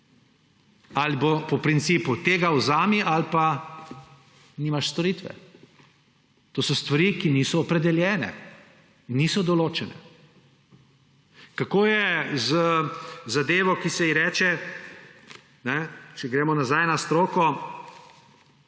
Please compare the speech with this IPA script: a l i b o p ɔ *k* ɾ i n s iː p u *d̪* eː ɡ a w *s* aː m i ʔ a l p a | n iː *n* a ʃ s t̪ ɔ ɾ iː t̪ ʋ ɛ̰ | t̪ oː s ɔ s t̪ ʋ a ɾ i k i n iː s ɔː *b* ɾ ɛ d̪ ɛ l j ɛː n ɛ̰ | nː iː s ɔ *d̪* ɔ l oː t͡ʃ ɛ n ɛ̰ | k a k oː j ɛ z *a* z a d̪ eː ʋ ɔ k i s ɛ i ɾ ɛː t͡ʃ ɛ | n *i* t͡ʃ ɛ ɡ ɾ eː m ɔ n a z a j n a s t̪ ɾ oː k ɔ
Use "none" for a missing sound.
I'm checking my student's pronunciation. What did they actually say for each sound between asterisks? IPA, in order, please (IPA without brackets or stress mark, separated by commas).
p, t̪, z, m, p, d̪, ə, ɛ